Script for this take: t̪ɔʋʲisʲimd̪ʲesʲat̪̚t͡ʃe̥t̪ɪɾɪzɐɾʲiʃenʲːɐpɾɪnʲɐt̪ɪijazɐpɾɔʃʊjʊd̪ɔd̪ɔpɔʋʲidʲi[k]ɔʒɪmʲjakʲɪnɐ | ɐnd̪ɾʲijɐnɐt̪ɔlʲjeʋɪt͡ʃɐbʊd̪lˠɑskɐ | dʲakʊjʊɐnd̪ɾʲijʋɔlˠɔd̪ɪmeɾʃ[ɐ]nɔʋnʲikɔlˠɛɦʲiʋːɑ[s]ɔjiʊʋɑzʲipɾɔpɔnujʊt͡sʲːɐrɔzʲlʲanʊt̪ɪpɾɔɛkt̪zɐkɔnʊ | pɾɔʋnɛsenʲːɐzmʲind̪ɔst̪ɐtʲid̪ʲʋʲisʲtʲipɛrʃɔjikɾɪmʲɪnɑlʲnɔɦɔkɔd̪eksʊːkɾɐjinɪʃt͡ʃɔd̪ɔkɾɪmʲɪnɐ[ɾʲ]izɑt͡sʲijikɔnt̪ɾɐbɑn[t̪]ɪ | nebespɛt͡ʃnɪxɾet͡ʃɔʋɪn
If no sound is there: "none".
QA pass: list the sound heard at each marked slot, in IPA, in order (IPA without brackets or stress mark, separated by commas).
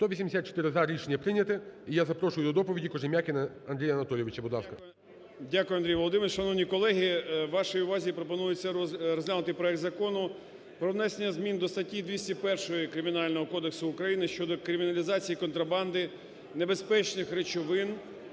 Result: k, ɐ, ʃ, lʲ, d̪